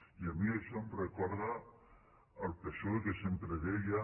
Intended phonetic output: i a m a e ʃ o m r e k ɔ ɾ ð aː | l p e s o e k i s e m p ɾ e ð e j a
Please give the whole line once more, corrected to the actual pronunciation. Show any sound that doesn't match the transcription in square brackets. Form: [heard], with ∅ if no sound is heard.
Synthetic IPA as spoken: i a m [i] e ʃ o m r e k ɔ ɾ ð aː | l p e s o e k [e] s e m p ɾ e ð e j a